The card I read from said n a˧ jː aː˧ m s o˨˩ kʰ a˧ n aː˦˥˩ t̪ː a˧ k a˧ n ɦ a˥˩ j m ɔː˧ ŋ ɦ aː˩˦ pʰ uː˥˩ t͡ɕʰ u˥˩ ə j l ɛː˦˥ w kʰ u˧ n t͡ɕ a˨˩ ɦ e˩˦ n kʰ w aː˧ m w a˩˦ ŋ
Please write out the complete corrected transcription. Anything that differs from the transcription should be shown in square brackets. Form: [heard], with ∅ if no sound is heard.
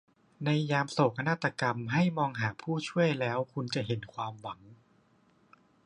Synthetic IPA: n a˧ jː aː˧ m s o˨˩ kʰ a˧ n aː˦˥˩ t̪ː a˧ k a˧ [m] ɦ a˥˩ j m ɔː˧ ŋ ɦ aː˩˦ pʰ uː˥˩ t͡ɕʰ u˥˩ ə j l ɛː˦˥ w kʰ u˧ n t͡ɕ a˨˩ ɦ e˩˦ n kʰ w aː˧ m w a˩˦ ŋ